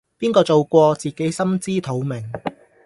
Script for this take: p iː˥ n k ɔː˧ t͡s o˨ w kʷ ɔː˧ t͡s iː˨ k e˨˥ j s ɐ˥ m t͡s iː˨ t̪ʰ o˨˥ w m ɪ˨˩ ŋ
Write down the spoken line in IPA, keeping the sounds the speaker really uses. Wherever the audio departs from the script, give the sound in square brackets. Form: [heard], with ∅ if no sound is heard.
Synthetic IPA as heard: p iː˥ n k ɔː˧ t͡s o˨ w kʷ ɔː˧ t͡s iː˨ k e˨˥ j s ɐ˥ m t͡s [iː˥] t̪ʰ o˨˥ w m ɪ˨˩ ŋ